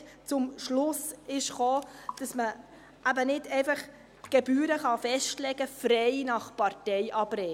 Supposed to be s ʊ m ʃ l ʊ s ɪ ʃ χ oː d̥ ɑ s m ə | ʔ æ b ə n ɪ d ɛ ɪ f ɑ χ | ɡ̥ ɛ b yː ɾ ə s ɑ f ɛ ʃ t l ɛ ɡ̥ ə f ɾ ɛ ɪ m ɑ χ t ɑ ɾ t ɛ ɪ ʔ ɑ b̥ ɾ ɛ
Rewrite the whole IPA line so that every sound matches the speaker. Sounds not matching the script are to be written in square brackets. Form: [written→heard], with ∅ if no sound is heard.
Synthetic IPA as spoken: [s→t͡s] ʊ m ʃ l ʊ s ɪ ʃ χ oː d̥ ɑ s m ə | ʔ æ b ə n ɪ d ɛ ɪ f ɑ χ | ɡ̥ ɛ b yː ɾ ə [s→χ] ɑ f ɛ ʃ t l ɛ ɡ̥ ə f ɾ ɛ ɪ [m→n] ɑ χ [t→p] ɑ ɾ t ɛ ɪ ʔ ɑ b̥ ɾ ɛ